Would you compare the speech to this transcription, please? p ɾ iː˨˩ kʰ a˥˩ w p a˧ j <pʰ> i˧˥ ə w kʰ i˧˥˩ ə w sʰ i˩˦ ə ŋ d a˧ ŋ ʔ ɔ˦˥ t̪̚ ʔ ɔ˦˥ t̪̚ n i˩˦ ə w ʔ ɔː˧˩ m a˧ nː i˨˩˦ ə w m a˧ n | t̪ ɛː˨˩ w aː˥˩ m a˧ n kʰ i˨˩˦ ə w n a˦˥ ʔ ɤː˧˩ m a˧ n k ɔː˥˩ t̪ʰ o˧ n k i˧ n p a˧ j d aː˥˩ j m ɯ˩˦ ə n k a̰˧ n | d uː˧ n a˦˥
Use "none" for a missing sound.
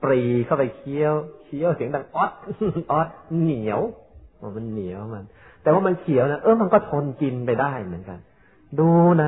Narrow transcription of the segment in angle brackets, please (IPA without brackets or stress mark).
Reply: kʰ